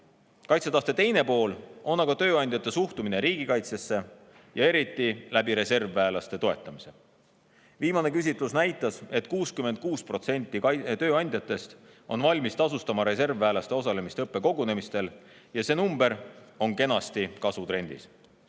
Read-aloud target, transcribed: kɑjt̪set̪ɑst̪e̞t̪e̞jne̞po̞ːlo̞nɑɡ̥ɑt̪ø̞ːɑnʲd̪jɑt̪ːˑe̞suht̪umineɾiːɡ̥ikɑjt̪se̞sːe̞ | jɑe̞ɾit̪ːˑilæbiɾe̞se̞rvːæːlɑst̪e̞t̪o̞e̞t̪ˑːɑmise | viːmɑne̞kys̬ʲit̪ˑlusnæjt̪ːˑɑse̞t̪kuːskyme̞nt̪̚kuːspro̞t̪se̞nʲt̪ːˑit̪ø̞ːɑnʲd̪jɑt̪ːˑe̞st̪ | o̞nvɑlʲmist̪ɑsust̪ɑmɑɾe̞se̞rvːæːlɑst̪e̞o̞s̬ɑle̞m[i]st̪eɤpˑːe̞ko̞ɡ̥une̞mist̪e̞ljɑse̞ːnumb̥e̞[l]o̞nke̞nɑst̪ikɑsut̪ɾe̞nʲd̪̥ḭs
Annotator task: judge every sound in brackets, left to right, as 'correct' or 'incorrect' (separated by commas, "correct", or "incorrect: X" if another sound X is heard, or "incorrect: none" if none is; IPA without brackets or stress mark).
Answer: correct, incorrect: ɾ